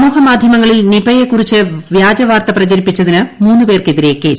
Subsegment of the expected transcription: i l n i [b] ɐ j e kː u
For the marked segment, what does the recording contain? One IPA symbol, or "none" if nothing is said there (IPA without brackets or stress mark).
b